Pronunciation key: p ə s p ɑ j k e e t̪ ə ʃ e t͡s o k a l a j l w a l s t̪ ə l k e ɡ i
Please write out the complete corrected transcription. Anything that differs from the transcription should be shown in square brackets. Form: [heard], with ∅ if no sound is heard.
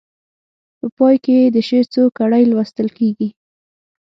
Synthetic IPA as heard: p ə [∅] p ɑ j k e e [d̪] ə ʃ e t͡s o k a [ɽ] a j l w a [∅] s t̪ ə l k e ɡ i